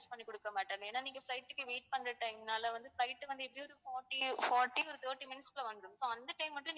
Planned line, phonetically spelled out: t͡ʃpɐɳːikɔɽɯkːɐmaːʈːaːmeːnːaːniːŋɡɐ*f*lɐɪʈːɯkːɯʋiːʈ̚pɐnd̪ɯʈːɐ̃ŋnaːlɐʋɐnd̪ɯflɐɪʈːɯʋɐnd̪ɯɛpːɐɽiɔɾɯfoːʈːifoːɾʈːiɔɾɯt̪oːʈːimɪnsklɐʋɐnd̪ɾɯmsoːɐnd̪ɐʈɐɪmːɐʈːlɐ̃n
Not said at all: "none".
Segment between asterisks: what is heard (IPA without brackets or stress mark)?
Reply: f